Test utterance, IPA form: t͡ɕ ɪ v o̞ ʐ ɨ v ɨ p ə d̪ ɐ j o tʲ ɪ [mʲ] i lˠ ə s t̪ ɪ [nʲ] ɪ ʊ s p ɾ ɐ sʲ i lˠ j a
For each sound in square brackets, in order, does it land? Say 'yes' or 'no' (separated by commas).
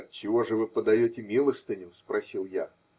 yes, yes